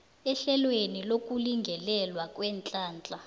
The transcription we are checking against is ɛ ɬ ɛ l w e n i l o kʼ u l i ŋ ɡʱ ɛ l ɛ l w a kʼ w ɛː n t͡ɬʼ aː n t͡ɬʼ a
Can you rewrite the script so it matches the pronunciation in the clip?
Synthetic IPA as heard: ɛ ɬ ɛ l w e n i l o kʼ u l i ŋ ɡʱ ɛ l ɛ l w a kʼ w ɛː n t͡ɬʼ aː n t͡ɬʼ a